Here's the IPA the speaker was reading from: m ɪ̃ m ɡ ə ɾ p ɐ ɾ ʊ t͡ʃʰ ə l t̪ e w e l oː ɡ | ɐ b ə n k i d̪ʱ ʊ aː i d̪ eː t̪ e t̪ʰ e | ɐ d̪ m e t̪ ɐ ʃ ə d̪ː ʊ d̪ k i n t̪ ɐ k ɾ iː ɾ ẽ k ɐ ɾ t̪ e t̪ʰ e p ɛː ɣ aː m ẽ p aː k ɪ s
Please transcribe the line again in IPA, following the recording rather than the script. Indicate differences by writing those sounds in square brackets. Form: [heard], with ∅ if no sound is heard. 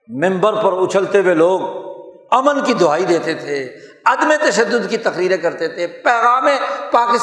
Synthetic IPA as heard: m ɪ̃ m [b] ə ɾ p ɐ ɾ ʊ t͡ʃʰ ə l t̪ e w e l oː ɡ | ɐ [m] ə n k i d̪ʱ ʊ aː i d̪ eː t̪ e t̪ʰ e | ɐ d̪ m e t̪ ɐ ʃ ə d̪ː ʊ d̪ k i [∅] t̪ ɐ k ɾ iː ɾ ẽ k ɐ ɾ t̪ e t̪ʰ e p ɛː ɣ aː m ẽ p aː k ɪ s